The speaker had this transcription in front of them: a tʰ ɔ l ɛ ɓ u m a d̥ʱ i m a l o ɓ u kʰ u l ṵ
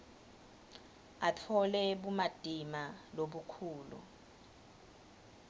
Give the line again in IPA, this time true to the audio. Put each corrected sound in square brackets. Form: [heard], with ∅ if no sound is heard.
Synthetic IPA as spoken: a tʰ ɔ l ɛ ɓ u m a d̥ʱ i m a l o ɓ u kʰ [uː] l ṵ